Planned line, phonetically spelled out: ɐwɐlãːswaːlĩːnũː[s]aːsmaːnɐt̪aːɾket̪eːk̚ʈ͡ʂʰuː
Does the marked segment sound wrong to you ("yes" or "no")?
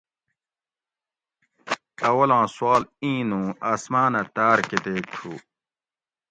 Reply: yes